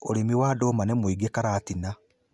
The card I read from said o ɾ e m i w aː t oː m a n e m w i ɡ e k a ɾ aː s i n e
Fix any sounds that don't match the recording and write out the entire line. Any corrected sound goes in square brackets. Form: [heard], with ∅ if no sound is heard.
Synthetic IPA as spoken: o ɾ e m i w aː [d] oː m a n e m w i ɡ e k a ɾ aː [t] i n [a]